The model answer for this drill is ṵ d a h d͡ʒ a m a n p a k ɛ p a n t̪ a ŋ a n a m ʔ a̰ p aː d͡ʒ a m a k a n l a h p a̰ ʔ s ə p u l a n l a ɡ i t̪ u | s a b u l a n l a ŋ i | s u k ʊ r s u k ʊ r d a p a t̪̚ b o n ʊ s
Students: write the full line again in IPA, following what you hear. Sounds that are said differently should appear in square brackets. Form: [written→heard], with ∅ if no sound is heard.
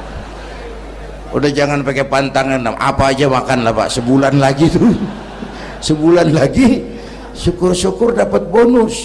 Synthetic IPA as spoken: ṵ d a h d͡ʒ a [m→ŋ] a n p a k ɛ p a n t̪ a ŋ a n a m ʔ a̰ p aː d͡ʒ a m a k a n l a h p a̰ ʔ s ə [p→b] u l a n l a ɡ i t̪ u | s [a→ə] b u l a n l a [ŋ→ɡ] i | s u k ʊ r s u k ʊ r d a p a t̪̚ b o n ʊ s